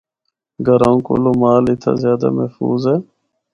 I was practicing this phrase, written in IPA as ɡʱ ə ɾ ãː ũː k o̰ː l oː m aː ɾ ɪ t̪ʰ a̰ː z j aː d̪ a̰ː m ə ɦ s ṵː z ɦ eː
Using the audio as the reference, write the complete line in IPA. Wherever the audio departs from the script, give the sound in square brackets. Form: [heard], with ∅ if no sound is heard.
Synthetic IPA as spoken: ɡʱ ə ɾ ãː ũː k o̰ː l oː m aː [l] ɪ t̪ʰ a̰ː z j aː d̪ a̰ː m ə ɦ [f] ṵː z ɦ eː